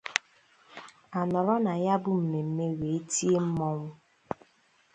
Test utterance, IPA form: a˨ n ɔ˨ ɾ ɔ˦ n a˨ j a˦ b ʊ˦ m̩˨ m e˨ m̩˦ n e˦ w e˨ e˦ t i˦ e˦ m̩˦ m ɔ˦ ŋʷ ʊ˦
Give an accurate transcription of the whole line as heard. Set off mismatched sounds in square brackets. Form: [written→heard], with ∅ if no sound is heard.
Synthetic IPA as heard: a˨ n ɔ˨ ɾ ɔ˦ n a˨ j a˦ b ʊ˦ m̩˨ m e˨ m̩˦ [n→m] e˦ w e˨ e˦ t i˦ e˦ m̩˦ m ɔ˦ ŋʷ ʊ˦